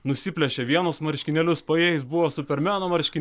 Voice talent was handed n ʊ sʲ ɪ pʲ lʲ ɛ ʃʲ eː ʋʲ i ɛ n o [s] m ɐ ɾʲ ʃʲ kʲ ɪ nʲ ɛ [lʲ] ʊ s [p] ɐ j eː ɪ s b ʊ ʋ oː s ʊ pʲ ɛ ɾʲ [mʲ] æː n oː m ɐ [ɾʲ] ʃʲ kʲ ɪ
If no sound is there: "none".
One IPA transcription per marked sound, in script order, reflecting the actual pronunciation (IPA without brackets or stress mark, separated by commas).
s, lʲ, p, mʲ, ɾʲ